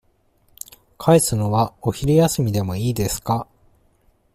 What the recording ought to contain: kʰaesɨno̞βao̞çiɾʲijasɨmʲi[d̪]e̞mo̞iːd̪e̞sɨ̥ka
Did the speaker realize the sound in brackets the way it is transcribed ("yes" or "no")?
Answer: yes